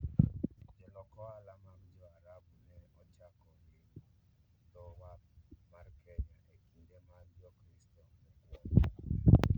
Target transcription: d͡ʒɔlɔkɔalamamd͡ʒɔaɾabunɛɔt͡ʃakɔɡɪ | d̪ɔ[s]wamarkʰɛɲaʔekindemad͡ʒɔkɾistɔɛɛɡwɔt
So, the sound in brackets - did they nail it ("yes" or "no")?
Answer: no